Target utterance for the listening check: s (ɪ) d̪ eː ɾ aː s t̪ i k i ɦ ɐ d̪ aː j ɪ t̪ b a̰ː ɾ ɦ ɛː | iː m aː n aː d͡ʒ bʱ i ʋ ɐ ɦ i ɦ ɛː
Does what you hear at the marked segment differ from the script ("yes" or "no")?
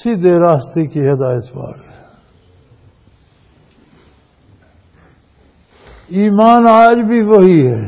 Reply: yes